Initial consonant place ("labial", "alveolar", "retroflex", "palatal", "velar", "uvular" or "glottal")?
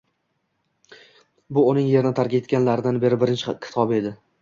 labial